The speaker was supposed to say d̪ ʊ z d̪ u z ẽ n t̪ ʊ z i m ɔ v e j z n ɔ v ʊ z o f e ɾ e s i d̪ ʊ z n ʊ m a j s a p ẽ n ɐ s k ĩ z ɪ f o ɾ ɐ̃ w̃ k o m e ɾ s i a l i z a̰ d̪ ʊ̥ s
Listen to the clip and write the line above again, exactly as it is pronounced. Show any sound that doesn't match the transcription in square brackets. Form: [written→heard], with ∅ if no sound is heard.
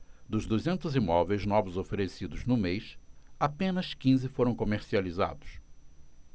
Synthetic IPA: d̪ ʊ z d̪ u z ẽ n t̪ ʊ z i m ɔ v e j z n ɔ v ʊ z o f e ɾ e s i d̪ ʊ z n ʊ m [a→e] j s a p ẽ n ɐ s k ĩ z ɪ f o ɾ ɐ̃ w̃ k o m e ɾ s i a l i z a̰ d̪ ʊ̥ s